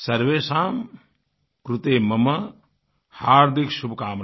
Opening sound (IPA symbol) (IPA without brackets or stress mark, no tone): s